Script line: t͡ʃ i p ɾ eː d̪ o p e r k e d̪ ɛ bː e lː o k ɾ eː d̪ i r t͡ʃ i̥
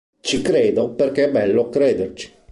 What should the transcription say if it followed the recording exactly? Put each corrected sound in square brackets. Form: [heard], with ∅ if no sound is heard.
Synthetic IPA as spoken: t͡ʃ i [k] ɾ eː d̪ o p e r k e [∅] ɛ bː [ɛ] lː o k ɾ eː d̪ [e] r t͡ʃ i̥